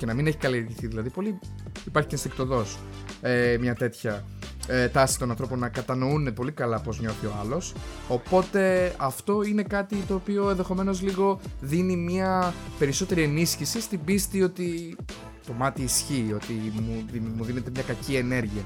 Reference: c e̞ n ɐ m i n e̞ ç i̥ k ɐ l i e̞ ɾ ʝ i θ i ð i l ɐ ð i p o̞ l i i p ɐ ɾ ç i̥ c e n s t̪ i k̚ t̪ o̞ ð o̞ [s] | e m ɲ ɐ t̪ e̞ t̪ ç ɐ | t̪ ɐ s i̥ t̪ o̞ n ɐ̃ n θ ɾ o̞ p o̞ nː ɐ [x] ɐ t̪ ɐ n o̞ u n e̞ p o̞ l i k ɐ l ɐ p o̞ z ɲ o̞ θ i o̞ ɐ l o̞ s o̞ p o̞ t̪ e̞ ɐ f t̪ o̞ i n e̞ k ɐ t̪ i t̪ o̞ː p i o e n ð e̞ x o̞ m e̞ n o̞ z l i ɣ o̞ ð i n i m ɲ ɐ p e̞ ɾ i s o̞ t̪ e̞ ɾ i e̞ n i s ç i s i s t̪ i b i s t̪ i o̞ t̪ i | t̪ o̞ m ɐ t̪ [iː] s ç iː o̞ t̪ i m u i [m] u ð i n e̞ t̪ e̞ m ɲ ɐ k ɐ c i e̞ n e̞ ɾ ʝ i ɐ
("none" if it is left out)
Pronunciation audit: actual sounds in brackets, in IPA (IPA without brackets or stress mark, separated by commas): s, k, iː, m